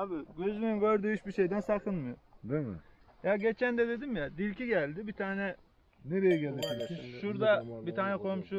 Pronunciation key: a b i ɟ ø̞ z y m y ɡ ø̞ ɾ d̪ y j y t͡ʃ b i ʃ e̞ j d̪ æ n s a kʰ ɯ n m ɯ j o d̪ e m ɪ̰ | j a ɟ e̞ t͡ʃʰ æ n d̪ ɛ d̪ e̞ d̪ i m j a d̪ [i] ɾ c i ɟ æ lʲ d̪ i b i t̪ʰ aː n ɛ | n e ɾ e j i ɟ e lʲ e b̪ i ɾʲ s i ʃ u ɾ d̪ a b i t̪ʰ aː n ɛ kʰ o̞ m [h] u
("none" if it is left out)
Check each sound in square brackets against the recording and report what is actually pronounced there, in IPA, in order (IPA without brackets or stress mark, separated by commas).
i, ʃ